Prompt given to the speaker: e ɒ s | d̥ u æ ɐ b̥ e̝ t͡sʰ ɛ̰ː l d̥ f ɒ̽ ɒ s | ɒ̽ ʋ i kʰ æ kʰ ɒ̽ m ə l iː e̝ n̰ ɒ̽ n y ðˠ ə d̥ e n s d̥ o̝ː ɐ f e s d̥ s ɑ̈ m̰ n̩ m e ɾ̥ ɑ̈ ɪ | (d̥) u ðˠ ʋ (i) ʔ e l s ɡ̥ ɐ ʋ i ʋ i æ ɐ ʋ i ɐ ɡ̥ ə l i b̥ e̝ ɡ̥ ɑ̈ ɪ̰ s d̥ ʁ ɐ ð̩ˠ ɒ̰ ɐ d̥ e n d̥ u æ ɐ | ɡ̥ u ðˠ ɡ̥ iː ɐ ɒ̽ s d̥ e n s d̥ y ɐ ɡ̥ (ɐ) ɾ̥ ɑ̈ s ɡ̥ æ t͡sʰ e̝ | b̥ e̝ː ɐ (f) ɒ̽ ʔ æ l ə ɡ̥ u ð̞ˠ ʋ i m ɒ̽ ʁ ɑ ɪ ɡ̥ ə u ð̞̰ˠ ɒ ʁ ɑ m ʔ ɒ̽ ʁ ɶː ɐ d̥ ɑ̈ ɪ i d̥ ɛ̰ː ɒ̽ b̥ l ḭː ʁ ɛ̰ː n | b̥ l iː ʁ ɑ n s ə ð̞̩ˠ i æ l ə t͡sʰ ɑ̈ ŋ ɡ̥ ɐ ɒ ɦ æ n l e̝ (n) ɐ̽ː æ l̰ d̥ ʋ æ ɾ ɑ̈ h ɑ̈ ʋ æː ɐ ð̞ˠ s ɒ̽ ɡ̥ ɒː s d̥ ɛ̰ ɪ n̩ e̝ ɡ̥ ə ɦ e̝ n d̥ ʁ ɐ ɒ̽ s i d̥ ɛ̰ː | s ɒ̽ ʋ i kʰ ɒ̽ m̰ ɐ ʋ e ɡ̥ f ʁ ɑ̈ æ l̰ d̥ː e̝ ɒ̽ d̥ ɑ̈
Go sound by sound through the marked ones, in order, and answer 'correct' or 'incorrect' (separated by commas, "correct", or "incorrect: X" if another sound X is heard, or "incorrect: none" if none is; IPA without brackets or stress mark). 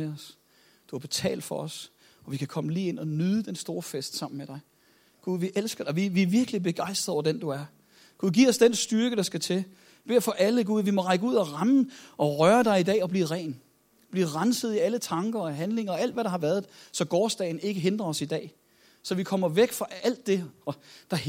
incorrect: ɡ̥, correct, incorrect: ə, correct, incorrect: ŋ